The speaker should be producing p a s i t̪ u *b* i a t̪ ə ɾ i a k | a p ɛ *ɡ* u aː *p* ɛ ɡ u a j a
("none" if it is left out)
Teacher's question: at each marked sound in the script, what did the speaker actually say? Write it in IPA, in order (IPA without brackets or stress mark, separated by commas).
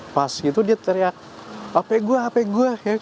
d, ɡ, p